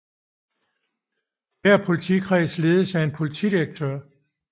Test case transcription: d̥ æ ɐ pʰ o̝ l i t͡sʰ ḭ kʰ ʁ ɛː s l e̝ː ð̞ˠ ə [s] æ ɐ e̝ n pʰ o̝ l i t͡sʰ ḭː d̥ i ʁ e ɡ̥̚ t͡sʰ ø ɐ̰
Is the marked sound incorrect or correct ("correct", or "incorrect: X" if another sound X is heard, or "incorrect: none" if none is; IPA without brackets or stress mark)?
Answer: correct